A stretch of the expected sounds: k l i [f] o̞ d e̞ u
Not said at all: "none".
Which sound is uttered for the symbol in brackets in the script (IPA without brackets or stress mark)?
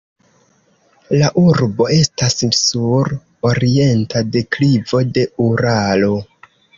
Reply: v